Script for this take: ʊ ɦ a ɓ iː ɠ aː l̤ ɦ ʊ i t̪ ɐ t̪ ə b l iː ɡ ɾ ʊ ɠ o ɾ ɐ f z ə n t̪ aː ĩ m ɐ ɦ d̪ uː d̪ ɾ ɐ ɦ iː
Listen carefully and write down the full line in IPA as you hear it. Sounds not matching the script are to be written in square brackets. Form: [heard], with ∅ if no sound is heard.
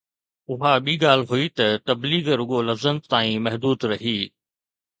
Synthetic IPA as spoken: ʊ ɦ a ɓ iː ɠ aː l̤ ɦ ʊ i t̪ ɐ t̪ [ɐ] b l iː ɡ ɾ ʊ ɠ o [l] ɐ f z ə n t̪ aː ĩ m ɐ ɦ d̪ uː d̪ ɾ ɐ ɦ iː